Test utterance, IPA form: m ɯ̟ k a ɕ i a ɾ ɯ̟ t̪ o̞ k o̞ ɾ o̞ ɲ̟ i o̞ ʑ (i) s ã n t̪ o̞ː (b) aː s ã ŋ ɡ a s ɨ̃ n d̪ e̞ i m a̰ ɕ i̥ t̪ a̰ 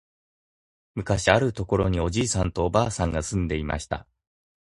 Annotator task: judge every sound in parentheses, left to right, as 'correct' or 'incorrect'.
incorrect: iː, correct

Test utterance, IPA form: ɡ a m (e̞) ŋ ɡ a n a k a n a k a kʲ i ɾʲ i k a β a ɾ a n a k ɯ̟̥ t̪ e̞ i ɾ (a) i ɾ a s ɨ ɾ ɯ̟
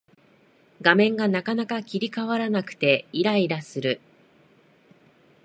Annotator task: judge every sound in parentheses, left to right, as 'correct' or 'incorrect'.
incorrect: ẽ̞, correct

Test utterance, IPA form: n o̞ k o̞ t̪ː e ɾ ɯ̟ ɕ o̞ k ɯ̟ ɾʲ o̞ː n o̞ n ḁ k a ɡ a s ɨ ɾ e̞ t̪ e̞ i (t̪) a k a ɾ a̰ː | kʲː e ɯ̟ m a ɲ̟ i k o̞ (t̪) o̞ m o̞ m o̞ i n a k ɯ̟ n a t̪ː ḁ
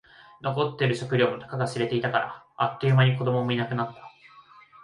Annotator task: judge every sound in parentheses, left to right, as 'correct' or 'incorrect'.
correct, incorrect: d̪

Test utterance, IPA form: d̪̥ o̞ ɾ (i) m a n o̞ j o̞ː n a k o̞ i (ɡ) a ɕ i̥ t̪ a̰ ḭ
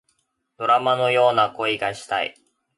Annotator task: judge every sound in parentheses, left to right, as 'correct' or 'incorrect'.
incorrect: a, correct

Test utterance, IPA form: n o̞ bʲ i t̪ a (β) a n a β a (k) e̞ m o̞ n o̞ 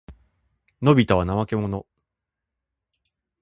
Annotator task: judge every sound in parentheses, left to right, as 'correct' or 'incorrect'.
correct, correct

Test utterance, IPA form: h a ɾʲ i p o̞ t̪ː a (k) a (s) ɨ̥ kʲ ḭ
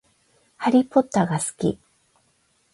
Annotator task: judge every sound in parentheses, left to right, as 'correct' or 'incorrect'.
incorrect: ɡ, correct

